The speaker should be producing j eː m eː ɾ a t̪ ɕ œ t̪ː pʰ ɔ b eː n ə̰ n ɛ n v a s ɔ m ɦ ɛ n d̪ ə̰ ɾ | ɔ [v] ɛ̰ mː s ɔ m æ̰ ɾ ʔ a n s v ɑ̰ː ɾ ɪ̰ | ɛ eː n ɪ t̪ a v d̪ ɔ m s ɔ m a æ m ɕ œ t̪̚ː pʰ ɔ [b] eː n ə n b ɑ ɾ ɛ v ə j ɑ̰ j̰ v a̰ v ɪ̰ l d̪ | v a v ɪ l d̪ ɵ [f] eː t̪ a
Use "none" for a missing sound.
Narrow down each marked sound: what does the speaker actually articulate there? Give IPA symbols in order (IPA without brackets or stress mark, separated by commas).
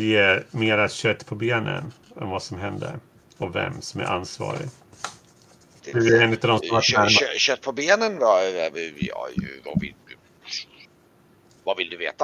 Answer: v, b, v